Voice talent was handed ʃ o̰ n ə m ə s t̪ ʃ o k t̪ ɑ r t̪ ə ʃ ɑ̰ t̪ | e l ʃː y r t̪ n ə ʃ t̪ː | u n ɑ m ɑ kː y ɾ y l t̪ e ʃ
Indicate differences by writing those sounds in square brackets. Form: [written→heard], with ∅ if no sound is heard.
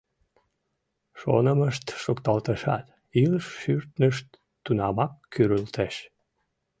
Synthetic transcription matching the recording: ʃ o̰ n ə m ə [s→ʃ] t̪ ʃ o k t̪ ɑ [r→l] t̪ ə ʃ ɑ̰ t̪ | [e→i] l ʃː y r t̪ n ə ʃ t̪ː | u n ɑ m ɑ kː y ɾ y l t̪ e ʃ